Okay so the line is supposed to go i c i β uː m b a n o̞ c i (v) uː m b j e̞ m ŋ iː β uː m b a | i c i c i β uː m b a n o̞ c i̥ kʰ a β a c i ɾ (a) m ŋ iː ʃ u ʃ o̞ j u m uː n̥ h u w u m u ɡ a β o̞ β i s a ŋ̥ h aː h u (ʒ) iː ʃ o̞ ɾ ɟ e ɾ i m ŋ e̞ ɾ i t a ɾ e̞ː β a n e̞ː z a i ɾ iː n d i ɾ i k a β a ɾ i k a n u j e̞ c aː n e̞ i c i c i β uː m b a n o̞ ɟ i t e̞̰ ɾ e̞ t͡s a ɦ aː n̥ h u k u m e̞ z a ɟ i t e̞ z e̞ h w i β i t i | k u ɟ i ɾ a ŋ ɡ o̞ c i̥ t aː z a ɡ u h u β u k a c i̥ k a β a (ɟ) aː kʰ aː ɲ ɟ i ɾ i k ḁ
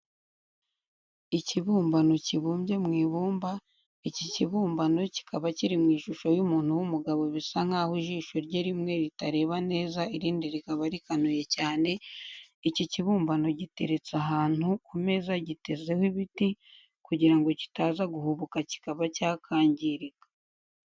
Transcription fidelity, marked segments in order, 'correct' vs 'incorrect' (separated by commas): incorrect, incorrect, correct, incorrect